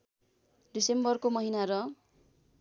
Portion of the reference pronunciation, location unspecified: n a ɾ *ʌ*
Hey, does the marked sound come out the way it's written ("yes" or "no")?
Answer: yes